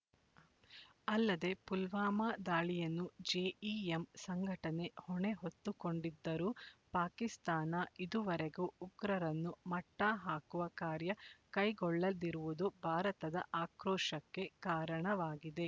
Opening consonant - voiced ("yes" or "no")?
yes